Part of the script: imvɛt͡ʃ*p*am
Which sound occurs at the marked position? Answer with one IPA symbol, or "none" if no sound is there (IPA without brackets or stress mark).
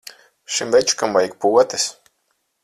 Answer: k